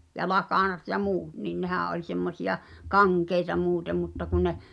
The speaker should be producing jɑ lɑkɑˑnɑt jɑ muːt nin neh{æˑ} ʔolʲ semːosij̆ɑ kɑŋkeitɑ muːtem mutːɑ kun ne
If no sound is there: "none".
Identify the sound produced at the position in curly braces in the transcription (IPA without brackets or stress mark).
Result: æˑ